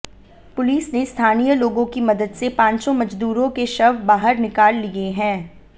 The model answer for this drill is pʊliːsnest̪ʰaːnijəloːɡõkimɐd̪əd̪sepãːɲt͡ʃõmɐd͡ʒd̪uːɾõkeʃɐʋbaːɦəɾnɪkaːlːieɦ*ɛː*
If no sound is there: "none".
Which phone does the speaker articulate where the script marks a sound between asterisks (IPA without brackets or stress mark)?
ɛ̃ː